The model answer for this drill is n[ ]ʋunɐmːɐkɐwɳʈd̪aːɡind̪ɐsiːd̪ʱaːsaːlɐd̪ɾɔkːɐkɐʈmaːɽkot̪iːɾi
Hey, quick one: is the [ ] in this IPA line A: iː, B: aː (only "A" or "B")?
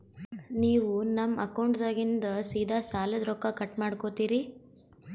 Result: A